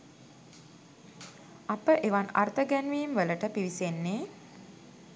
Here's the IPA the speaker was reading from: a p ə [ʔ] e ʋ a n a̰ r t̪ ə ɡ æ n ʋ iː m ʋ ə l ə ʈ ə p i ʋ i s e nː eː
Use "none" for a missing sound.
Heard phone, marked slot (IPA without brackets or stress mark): ʔ